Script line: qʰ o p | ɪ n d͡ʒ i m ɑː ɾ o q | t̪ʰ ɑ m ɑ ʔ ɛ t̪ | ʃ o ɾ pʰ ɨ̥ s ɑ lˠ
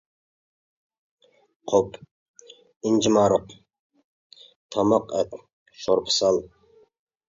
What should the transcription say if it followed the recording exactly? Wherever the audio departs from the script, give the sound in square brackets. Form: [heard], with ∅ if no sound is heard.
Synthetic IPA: qʰ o p | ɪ n d͡ʒ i m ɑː ɾ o q | t̪ʰ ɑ m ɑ [q] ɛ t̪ | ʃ o ɾ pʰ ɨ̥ s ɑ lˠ